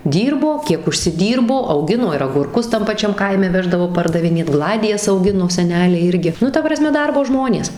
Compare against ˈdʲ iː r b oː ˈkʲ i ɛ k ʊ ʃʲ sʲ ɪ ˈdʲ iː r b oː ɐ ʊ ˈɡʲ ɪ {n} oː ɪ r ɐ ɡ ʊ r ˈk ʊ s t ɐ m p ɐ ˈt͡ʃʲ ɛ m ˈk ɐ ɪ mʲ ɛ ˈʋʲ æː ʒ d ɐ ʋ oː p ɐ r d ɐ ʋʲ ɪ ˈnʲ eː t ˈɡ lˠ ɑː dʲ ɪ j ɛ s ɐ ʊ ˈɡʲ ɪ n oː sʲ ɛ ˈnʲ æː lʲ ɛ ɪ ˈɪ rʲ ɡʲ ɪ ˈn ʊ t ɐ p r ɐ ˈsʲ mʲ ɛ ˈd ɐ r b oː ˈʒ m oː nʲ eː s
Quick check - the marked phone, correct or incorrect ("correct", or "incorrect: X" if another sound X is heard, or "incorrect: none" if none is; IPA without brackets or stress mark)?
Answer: correct